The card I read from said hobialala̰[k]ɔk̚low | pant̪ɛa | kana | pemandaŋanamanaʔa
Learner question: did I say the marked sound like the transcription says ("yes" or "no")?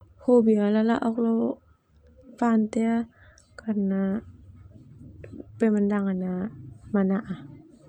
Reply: no